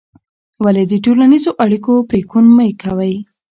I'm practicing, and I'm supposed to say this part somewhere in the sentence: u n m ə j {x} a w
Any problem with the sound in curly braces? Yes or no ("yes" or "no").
yes